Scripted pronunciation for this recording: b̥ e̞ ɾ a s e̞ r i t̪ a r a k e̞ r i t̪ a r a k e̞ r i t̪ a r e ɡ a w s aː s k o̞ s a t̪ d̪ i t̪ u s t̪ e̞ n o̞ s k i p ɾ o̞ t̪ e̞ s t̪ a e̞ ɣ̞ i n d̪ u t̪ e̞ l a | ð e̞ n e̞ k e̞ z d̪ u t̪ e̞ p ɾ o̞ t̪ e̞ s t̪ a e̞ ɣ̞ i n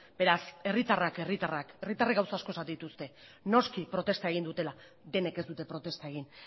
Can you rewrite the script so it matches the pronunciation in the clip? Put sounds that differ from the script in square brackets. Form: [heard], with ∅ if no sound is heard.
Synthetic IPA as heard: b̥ e̞ ɾ a s e̞ r i t̪ a r a k e̞ r i t̪ a r a k e̞ r i t̪ a r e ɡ a w s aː s k o̞ s a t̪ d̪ i t̪ u s t̪ e̞ n o̞ s k i p ɾ o̞ t̪ e̞ s t̪ a e̞ ɣ̞ i n d̪ u t̪ e̞ l a | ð e̞ n e̞ k e̞ z d̪ u t̪ e̞ p ɾ o̞ t̪ e̞ s t̪ a e̞ ɣ̞ i n

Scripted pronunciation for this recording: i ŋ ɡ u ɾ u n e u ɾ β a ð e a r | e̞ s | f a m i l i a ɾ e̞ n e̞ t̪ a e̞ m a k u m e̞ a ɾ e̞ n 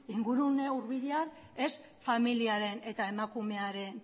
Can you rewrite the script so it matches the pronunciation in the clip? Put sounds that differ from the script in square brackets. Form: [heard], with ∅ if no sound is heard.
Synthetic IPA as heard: i ŋ ɡ u ɾ u n e u ɾ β [i] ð e a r | e̞ s | f a m i l i a ɾ e̞ n e̞ t̪ a e̞ m a k u m e̞ a ɾ e̞ n

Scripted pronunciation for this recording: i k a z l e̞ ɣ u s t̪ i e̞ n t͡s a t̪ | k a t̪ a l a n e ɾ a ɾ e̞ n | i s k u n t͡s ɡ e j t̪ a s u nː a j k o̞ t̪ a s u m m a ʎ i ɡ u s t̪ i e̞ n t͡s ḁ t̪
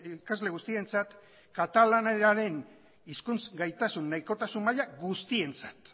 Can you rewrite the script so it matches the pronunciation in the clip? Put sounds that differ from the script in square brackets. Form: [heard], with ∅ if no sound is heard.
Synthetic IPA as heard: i k a z l e̞ ɣ u s t̪ i e̞ n t͡s a t̪ | k a t̪ a l a n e ɾ a ɾ e̞ n | i s k u n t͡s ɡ [a] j t̪ a s u nː a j k o̞ t̪ a s u m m a ʎ [a] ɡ u s t̪ i e̞ n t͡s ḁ t̪

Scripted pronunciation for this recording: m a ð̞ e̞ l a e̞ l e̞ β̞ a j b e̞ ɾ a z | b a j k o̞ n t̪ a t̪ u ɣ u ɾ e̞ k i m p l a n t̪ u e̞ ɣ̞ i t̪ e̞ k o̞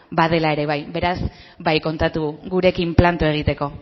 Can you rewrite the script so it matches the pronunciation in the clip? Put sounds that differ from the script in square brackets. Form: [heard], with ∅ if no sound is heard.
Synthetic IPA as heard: [b] a ð̞ e̞ l a e̞ [ɾ] e̞ β̞ a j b e̞ ɾ a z | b a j k o̞ n t̪ a t̪ u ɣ u ɾ e̞ k i m p l a n t̪ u e̞ ɣ̞ i t̪ e̞ k o̞

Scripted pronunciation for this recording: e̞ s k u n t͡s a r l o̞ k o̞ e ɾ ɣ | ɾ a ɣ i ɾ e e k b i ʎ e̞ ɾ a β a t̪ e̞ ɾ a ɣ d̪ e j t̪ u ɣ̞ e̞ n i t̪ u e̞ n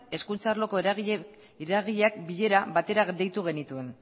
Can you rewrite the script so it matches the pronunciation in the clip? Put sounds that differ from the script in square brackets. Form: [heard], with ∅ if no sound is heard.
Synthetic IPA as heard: e̞ s k u n t͡s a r l o̞ k o̞ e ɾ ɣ | ɾ a ɣ i [ʎ] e [a] k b i ʎ e̞ ɾ a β a t̪ e̞ ɾ a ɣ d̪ e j t̪ u ɣ̞ e̞ n i t̪ u e̞ n

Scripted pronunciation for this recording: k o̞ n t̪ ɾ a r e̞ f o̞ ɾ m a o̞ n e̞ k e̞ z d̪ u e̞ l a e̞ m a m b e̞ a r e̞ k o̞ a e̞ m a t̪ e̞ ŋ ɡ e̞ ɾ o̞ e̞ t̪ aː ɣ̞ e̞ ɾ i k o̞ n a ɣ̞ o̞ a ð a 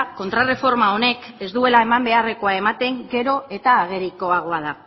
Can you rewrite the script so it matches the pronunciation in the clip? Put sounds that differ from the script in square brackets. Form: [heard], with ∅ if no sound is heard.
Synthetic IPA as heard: k o̞ n t̪ ɾ a r e̞ f o̞ ɾ m a o̞ n e̞ k e̞ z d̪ u e̞ l a e̞ m a m b e̞ a r e̞ k o̞ a e̞ m a t̪ e̞ ŋ ɡ e̞ ɾ o̞ e̞ t̪ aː ɣ̞ e̞ ɾ i k o̞ [∅] a ɣ̞ o̞ a ð a

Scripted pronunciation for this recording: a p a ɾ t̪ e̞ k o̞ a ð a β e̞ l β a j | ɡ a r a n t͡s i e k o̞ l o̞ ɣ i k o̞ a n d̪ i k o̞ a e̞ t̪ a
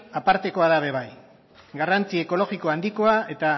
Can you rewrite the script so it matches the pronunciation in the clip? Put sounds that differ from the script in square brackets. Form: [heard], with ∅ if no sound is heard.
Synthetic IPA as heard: a p a ɾ t̪ e̞ k o̞ a ð a β e̞ [∅] β a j | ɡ a r a n t͡s i e k o̞ l o̞ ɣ i k o̞ a n d̪ i k o̞ a e̞ t̪ a

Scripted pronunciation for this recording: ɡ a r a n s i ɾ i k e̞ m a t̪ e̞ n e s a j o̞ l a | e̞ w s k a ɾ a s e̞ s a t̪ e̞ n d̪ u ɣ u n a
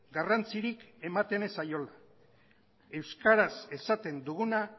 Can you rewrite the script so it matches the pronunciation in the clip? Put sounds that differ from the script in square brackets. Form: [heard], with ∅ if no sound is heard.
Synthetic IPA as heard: ɡ a r a n [t͡s] i ɾ i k e̞ m a t̪ e̞ n e s a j o̞ l a | e̞ w s k a ɾ a s e̞ s a t̪ e̞ n d̪ u ɣ u n a

